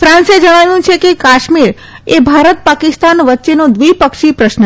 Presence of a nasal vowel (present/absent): present